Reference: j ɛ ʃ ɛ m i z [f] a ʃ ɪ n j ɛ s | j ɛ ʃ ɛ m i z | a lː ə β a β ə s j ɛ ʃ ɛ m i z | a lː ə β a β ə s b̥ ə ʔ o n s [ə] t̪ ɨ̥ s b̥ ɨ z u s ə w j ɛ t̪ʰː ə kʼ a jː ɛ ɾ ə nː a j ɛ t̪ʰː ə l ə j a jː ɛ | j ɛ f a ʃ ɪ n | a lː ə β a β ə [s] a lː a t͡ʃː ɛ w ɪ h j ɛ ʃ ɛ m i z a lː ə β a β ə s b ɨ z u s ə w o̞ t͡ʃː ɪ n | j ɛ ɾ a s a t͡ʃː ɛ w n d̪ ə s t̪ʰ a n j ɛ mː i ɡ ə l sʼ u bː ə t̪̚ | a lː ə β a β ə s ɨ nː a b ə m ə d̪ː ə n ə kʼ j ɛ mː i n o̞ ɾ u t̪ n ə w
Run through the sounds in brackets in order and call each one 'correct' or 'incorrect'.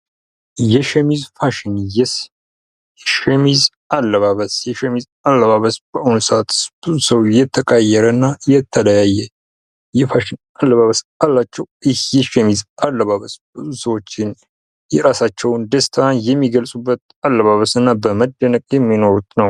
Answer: correct, incorrect: a, correct

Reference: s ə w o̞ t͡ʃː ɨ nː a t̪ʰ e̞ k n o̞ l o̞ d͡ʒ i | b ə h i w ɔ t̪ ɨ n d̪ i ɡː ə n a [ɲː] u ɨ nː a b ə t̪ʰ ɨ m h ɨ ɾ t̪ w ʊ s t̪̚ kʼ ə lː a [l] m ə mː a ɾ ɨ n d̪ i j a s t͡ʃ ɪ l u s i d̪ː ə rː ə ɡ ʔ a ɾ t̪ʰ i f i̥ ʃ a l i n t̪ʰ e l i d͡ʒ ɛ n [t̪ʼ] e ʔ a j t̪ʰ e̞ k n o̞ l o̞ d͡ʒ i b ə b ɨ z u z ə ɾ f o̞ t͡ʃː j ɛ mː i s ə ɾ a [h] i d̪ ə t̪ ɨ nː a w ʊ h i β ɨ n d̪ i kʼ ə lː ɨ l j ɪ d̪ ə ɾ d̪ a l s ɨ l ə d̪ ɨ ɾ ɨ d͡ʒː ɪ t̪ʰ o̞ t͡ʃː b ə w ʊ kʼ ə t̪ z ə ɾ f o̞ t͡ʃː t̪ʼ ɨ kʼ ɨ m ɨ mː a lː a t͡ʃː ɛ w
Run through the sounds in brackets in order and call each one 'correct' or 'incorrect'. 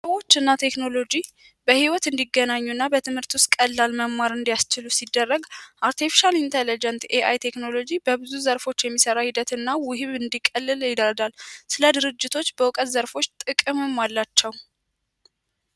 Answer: correct, correct, incorrect: t̪, correct

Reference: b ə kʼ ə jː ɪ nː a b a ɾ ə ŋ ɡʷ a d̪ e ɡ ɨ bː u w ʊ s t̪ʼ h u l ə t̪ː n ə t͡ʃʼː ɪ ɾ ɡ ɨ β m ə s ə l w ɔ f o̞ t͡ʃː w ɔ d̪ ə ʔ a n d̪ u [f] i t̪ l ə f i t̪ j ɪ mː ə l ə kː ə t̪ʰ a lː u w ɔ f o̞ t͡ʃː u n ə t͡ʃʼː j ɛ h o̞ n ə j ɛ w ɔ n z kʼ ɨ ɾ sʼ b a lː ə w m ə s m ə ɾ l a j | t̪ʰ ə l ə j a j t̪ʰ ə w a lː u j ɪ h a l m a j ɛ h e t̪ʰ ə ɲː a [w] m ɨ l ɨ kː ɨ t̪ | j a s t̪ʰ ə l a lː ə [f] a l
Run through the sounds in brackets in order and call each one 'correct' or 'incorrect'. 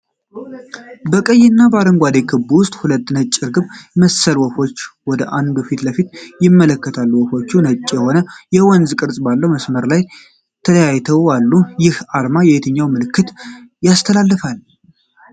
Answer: correct, correct, correct

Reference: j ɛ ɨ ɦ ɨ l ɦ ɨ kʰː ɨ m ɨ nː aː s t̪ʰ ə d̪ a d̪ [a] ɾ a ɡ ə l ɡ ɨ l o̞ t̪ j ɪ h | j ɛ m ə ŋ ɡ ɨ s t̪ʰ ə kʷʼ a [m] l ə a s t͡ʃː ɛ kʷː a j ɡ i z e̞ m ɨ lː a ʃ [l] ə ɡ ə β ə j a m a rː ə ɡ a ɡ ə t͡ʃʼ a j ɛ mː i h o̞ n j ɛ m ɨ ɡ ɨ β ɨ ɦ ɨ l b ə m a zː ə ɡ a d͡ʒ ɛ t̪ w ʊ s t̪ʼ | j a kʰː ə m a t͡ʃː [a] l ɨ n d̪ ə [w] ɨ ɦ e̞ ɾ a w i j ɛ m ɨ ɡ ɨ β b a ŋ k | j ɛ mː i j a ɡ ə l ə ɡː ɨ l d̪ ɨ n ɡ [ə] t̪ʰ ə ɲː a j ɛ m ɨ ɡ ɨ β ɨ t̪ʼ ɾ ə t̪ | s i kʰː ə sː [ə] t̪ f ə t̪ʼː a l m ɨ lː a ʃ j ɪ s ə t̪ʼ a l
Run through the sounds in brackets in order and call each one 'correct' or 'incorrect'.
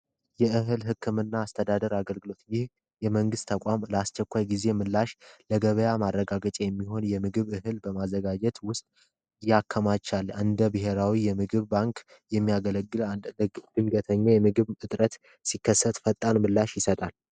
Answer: incorrect: ə, correct, correct, correct, incorrect: b, correct, correct

